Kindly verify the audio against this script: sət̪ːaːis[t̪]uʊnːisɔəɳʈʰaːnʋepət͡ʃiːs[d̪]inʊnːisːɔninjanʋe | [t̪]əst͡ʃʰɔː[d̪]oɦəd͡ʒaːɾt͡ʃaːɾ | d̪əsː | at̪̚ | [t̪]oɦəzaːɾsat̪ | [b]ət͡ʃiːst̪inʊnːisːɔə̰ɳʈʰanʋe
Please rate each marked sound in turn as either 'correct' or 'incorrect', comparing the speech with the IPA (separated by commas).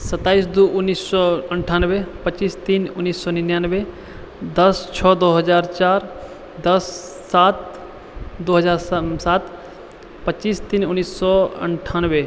incorrect, incorrect, incorrect, correct, incorrect, incorrect